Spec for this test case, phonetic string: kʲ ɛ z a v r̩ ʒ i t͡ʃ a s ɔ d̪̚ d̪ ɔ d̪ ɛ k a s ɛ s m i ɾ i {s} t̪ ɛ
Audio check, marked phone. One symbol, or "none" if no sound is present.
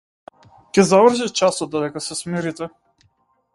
none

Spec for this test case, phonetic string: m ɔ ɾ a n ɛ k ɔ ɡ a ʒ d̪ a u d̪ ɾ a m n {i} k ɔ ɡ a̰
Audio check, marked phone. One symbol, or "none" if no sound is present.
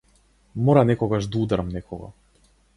ɛ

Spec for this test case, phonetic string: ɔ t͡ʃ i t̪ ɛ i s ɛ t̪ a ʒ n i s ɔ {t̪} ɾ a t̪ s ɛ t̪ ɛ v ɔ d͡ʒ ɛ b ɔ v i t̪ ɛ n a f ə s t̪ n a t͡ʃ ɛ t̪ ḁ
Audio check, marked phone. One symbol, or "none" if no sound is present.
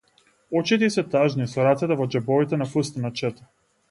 none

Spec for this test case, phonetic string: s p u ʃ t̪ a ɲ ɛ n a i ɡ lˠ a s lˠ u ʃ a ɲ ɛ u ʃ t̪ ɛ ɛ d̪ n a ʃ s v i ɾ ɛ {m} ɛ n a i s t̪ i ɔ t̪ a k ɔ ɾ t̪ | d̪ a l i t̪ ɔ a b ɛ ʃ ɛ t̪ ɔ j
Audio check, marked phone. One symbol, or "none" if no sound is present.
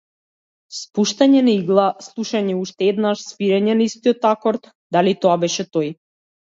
ɲ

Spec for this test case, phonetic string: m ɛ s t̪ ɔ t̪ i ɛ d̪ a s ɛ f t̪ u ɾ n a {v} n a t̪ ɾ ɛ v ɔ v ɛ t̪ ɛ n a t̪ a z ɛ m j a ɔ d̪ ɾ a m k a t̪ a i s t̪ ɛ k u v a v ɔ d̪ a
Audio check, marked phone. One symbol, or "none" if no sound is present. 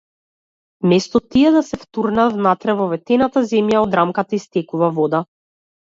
v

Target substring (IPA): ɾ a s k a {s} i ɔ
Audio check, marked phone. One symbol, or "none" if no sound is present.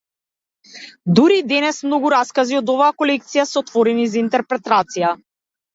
z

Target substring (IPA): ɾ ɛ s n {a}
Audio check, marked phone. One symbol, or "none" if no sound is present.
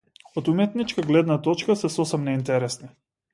i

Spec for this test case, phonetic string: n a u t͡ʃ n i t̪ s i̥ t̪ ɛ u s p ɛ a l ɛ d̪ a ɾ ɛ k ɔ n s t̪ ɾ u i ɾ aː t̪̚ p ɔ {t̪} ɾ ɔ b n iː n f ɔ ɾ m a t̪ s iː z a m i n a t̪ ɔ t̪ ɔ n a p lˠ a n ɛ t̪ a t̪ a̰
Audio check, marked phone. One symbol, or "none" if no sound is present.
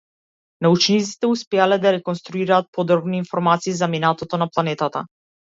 d̪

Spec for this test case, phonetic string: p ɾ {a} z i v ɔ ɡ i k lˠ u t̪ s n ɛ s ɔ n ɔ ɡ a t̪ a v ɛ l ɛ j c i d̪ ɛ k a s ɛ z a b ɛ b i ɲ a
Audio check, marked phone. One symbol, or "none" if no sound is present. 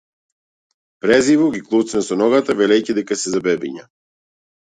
ɛ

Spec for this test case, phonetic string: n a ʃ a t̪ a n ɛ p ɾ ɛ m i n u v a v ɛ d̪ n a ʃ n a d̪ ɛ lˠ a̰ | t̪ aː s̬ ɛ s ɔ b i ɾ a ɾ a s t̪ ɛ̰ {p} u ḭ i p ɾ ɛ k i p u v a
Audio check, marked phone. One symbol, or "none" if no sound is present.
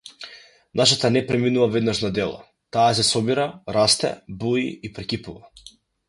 b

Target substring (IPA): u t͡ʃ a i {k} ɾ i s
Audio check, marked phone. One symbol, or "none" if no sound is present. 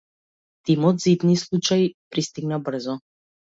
p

